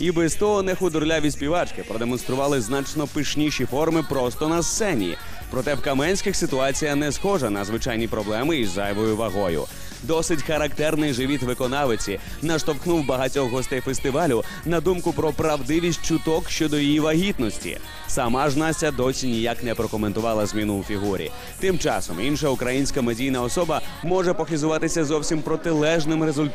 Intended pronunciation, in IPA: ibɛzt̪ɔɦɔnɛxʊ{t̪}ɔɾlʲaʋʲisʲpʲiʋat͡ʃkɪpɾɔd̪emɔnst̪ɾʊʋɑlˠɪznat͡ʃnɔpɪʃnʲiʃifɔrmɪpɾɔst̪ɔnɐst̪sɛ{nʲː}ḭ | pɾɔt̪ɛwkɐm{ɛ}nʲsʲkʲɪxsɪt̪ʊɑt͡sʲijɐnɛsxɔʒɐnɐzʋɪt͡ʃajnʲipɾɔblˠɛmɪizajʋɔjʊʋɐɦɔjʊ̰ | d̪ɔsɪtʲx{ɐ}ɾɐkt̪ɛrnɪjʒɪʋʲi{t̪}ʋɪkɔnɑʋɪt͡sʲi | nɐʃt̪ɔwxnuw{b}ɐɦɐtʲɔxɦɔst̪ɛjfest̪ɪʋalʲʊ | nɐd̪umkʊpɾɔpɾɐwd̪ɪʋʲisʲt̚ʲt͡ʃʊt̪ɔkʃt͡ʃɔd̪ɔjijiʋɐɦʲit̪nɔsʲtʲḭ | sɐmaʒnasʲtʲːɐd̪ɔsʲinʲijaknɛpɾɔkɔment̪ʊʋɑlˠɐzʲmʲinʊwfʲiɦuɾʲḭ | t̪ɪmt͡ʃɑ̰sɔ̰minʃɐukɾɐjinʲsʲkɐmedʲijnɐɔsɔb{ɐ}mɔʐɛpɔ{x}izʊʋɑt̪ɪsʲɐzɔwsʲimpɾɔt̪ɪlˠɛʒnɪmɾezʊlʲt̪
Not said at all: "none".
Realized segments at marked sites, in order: d̪, nʲ, ɛ, ɐ, t̪, b, ɐ, x

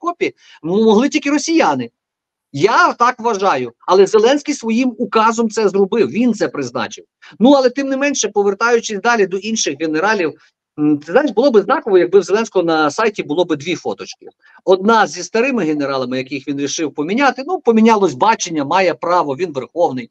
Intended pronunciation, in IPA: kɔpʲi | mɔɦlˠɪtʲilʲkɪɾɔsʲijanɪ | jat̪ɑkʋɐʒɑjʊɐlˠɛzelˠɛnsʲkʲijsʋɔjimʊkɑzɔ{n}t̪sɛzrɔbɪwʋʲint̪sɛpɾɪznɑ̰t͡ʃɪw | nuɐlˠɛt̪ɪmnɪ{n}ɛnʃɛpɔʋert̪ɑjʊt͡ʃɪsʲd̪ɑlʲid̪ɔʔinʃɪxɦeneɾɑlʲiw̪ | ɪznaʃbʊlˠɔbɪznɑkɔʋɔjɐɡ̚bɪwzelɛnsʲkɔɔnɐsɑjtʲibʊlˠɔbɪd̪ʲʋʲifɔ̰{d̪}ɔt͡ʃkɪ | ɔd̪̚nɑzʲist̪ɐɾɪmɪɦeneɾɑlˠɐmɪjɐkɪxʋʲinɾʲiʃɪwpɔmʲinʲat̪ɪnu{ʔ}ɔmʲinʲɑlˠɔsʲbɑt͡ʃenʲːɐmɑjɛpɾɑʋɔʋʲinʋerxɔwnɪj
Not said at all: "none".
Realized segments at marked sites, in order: m, m, t̪, p

